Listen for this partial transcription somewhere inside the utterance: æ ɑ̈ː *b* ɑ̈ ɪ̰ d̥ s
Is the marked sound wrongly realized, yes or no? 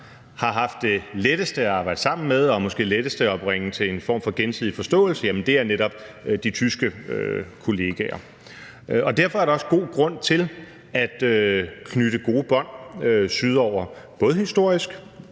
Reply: no